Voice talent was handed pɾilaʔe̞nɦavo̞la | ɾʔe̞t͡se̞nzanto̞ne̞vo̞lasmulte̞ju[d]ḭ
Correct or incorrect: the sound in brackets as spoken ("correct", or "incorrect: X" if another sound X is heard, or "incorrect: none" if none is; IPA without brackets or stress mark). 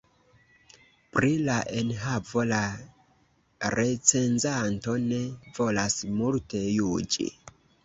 incorrect: d͡ʒ